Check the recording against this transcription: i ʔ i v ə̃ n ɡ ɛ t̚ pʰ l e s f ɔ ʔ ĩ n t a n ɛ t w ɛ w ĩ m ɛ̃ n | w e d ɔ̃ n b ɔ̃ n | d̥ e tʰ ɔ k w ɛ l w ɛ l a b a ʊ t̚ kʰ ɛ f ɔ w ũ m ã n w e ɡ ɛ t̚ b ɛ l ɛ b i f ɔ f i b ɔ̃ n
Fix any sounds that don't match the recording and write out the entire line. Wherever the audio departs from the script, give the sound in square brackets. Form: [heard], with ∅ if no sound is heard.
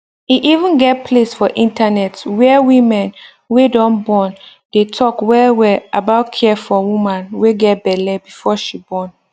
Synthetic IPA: i ʔ i v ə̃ n ɡ ɛ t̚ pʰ l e s f ɔ ʔ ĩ n t a n ɛ t w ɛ w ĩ m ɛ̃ n | w e d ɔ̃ n b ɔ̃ n | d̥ e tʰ ɔ k w ɛ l w ɛ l a b a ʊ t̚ kʰ ɛ f ɔ w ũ m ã n w e ɡ ɛ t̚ b ɛ l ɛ b i f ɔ [ʃ] i b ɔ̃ n